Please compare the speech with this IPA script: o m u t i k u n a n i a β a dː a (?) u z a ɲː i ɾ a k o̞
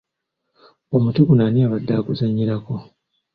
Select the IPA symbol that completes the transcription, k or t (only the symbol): k